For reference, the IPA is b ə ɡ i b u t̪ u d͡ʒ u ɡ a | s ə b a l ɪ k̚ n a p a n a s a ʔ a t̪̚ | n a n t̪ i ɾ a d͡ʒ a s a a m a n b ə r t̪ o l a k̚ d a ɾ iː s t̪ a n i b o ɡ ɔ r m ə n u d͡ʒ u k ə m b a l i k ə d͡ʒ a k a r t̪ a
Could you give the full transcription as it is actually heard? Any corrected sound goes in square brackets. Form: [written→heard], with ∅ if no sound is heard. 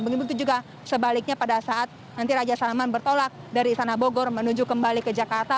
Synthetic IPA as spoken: b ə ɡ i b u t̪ u d͡ʒ u ɡ a | s ə b a l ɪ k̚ [n→ɲ] a p a [n→d] a s a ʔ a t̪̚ | n a n t̪ i ɾ a d͡ʒ a s a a m a n b ə r t̪ o l a k̚ d a ɾ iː s t̪ a n [i→a] b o ɡ ɔ r m ə n u d͡ʒ u k ə m b a l i k ə d͡ʒ a k a r t̪ a

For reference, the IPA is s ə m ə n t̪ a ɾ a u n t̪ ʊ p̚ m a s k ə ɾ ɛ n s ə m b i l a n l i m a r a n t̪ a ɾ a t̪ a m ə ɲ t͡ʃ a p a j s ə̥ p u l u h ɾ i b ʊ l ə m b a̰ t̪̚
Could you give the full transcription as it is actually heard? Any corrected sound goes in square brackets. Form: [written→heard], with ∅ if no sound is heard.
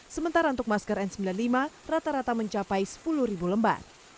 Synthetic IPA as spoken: s ə m ə n t̪ a ɾ a u n t̪ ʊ [p̚→k̚] m a s k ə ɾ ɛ n s ə m b i l a n l i m a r a [n→∅] t̪ a ɾ a t̪ a m ə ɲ t͡ʃ a p a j s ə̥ p u l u h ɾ i b [ʊ→u] l ə m b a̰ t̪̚

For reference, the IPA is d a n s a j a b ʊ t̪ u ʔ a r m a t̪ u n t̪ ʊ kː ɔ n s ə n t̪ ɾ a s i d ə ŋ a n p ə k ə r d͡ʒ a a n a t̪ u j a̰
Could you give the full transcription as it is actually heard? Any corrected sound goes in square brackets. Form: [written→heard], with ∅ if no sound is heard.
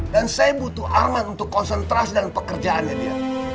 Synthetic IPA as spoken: d a n s a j a b [ʊ→u] t̪ u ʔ a r m a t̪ u n t̪ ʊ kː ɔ n s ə n t̪ ɾ a s i d ə ŋ a n p ə k ə r d͡ʒ a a n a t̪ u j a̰

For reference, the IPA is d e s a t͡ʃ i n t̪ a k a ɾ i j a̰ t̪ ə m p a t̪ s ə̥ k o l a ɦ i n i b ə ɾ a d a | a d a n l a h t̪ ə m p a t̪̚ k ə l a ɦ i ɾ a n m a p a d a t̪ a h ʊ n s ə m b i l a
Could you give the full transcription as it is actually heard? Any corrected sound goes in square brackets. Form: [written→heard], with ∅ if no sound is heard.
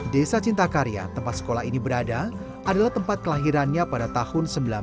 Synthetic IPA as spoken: d e s a t͡ʃ i n t̪ a k a ɾ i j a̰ t̪ ə m p a t̪ s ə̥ k o l a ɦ i n i b ə ɾ a d a | a d a [n→∅] l a h t̪ ə m p a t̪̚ k ə l a ɦ i ɾ a n [m→ɲ] a p a d a t̪ a h ʊ n s ə m b i l a

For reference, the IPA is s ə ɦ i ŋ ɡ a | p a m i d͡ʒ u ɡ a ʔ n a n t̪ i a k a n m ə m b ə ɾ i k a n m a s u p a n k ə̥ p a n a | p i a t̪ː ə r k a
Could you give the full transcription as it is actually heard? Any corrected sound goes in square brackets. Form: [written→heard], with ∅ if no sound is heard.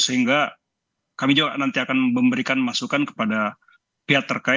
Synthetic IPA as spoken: s ə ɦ i ŋ ɡ a | [p→k] a m i d͡ʒ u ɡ a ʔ n a n t̪ i a k a n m ə m b ə ɾ i k a n m a s u [p→k] a n k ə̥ p a [n→d] a | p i a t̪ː ə r k a

